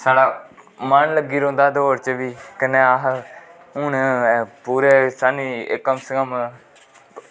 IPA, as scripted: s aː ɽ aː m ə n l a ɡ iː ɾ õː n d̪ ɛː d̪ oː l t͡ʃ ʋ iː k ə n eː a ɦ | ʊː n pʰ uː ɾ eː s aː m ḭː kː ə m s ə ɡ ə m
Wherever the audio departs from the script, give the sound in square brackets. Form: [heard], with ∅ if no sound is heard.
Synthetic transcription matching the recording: s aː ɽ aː m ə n l [ə] ɡ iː ɾ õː n d̪ [aː] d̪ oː [ɾ] t͡ʃ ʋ iː k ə n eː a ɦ | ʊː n [p] uː ɾ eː s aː [n] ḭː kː ə m s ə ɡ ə m